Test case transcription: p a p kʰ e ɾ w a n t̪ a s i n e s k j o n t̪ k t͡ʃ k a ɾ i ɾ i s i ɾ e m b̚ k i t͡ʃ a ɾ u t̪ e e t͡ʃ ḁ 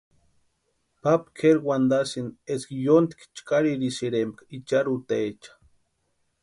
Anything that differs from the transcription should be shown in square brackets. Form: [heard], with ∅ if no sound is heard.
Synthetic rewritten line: p a p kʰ e ɾ w a n [d̪] a s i n e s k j o n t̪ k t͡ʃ k a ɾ i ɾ i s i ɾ e m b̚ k i t͡ʃ a ɾ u t̪ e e t͡ʃ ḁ